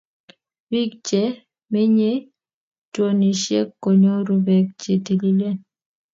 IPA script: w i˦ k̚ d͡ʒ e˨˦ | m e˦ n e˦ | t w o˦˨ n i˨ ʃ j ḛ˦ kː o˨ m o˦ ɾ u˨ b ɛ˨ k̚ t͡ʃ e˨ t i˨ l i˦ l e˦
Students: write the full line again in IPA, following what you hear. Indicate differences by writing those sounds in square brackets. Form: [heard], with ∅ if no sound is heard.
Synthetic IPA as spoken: w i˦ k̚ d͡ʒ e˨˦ | m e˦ [ɲ] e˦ | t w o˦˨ n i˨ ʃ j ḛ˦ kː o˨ [ɲ] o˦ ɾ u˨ b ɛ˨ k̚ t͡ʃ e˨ t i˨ l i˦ l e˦